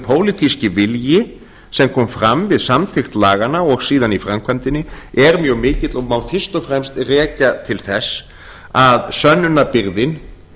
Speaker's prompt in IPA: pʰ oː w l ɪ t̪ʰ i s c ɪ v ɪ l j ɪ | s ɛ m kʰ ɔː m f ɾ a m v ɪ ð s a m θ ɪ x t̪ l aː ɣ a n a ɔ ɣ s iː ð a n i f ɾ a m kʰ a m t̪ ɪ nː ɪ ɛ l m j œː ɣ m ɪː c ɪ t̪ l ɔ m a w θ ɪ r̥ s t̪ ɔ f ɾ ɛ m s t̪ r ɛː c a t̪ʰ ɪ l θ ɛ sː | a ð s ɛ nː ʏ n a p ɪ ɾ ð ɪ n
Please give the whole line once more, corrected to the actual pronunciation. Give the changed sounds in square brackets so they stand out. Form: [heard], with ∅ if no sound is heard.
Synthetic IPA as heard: pʰ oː w l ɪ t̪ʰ i s c ɪ v ɪ l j ɪ | s ɛ m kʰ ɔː m f ɾ a m v ɪ ð s a m θ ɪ x t̪ l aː ɣ a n a ɔ ɣ s iː ð a n i f ɾ a m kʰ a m t̪ ɪ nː ɪ ɛ [ɾ] m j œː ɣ m ɪː c ɪ t̪ l ɔ m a w [f] ɪ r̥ s t̪ ɔ f ɾ ɛ m s t̪ r ɛː c a t̪ʰ ɪ l θ ɛ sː | a ð s [œ] nː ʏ n a p ɪ ɾ ð ɪ n